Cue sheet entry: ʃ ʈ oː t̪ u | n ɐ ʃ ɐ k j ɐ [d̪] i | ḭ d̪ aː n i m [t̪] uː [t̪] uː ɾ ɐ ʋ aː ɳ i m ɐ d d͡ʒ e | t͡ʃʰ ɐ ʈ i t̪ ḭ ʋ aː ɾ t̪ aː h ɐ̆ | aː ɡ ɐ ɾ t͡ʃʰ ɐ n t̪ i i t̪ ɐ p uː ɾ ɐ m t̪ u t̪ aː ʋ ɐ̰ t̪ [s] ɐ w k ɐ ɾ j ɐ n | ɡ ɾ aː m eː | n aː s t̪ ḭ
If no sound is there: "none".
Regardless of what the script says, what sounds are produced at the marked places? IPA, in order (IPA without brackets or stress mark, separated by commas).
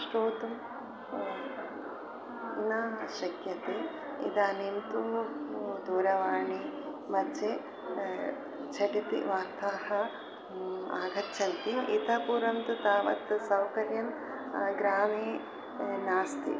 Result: t̪, t̪, d̪, s